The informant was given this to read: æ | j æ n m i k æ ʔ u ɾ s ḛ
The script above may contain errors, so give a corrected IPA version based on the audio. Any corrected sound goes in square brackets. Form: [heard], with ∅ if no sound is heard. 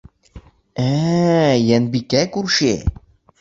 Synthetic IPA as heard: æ | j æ n [b] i k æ [k] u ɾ [ʃ] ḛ